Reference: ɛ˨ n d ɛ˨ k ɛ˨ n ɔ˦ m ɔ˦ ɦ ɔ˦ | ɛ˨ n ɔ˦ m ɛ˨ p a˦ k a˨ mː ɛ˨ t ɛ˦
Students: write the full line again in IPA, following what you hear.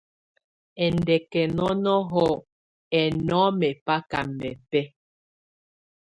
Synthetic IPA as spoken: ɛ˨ n d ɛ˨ k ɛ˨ n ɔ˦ n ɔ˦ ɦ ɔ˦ | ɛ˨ n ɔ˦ m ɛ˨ p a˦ k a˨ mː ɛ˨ p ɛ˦